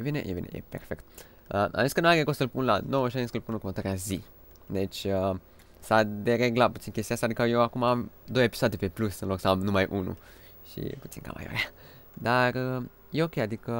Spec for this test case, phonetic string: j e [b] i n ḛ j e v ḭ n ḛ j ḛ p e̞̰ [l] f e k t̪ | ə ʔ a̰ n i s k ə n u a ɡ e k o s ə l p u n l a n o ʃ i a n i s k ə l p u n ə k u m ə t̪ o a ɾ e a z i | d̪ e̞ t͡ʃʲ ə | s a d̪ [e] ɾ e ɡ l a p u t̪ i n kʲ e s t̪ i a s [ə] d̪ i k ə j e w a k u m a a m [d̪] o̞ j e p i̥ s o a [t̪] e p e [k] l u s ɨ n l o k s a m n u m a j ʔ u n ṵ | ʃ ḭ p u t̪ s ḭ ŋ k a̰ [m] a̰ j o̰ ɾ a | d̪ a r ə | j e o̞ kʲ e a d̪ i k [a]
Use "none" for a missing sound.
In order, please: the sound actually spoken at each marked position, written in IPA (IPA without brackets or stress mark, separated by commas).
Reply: v, r, e, a, d̪, d̪, p, m, ə